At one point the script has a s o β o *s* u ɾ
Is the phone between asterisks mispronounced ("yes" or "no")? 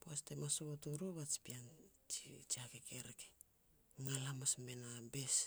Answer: yes